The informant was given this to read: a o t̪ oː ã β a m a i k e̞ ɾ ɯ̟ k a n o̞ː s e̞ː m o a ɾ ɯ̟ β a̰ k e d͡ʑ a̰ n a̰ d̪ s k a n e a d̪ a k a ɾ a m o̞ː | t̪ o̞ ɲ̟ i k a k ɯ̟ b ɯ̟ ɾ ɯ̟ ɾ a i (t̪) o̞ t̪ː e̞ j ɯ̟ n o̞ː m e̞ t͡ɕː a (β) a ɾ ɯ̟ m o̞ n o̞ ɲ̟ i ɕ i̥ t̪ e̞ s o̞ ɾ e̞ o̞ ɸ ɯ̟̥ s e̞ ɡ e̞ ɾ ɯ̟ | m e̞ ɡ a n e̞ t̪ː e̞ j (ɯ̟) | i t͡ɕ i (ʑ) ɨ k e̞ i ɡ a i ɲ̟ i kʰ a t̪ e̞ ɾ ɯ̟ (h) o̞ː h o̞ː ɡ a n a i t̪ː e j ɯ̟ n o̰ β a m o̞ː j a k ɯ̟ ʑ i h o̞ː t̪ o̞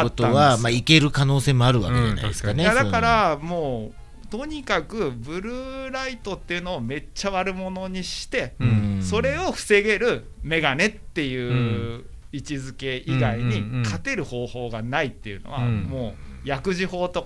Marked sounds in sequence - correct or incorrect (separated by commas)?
correct, correct, incorrect, incorrect, correct